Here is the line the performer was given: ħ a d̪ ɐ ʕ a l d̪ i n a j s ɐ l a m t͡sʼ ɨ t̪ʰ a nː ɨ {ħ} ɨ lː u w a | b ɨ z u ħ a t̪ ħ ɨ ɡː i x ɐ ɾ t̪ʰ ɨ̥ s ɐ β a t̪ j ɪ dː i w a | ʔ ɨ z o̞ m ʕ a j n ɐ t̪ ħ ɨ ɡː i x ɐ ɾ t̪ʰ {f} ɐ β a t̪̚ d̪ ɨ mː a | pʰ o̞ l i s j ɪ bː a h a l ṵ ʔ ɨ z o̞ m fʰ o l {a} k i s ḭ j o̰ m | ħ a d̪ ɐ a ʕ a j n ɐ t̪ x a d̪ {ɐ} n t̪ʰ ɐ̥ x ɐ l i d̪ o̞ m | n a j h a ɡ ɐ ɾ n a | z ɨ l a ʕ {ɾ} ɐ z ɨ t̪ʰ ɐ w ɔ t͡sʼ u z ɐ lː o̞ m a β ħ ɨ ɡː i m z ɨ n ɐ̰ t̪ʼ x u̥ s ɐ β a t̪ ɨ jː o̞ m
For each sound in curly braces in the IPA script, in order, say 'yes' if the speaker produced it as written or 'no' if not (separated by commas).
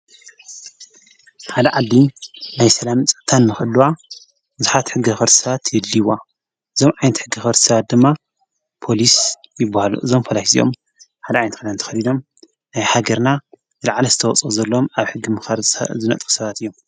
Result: no, no, yes, no, no